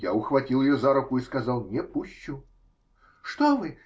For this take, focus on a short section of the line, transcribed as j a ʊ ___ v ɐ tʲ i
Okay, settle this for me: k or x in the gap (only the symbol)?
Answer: x